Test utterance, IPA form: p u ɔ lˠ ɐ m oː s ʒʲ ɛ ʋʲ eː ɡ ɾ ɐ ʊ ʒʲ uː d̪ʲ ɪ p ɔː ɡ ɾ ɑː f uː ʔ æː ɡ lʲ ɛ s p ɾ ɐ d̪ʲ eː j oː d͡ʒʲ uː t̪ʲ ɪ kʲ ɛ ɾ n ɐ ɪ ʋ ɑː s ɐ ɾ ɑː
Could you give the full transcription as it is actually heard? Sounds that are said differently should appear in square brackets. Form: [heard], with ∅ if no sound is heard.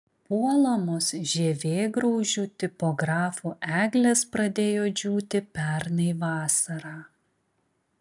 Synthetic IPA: p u ɔ lˠ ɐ m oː s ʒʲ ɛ ʋʲ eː ɡ ɾ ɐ ʊ ʒʲ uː [t̪ʲ] ɪ p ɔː ɡ ɾ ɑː f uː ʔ æː ɡ lʲ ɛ s p ɾ ɐ d̪ʲ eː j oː d͡ʒʲ uː t̪ʲ ɪ [pʲ] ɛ ɾ n ɐ ɪ ʋ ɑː s ɐ ɾ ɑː